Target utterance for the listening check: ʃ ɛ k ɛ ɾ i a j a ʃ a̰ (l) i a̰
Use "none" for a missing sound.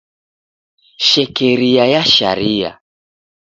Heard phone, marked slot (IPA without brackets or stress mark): ɾ